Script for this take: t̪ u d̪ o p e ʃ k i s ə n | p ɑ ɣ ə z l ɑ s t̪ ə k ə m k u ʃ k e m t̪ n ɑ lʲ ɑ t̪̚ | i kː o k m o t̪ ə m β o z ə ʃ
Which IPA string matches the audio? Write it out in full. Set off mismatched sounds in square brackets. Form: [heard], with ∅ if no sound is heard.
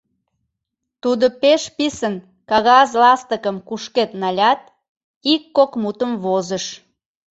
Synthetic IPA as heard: t̪ u d̪ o p e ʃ [p] i s ə n | [k] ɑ ɣ [ɑ] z l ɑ s t̪ ə k ə m k u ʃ k e [∅] t̪ n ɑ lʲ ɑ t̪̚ | i kː o k m [u] t̪ ə m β o z ə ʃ